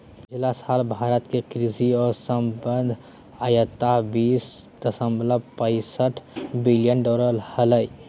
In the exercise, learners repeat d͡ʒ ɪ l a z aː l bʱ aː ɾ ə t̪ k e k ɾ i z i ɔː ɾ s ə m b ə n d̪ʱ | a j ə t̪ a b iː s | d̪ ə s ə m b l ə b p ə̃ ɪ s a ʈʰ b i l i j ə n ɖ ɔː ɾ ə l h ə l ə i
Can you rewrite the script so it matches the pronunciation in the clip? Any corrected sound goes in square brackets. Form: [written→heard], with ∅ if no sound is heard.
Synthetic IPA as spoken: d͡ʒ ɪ l a [z→s] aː l bʱ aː ɾ ə t̪ k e k ɾ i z i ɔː ɾ s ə m b ə n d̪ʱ | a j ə t̪ a b iː s | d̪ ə s ə m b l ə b p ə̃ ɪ s [a→ə] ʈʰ b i l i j ə n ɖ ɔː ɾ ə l h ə l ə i